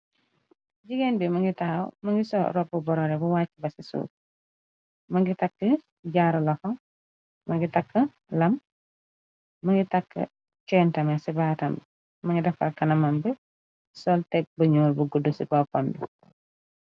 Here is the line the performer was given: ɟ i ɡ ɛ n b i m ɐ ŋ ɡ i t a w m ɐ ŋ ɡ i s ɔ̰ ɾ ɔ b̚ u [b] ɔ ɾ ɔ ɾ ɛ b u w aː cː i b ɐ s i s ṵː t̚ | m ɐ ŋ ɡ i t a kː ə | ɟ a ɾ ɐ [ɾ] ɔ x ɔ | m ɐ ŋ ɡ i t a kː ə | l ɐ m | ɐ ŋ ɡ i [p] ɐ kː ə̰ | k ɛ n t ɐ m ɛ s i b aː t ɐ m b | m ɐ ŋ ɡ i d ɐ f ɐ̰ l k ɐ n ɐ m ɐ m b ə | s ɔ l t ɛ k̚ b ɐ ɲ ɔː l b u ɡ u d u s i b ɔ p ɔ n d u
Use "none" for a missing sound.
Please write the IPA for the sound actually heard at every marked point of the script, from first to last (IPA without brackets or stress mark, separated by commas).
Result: b, l, t